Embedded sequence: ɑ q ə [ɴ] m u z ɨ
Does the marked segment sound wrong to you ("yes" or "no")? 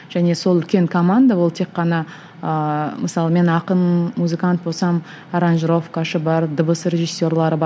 yes